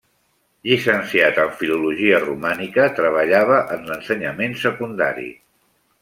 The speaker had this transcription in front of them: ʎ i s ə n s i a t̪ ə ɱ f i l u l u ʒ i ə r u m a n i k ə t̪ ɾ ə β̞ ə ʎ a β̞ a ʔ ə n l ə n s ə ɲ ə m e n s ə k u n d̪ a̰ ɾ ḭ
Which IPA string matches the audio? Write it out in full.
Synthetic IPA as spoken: ʎ i s ə n s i a t̪ ə ɱ f i l u l u ʒ i ə r u m a n i k ə t̪ ɾ ə β̞ ə ʎ a β̞ ə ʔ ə n l ə n s ə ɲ ə m e n s ə k u n d̪ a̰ ɾ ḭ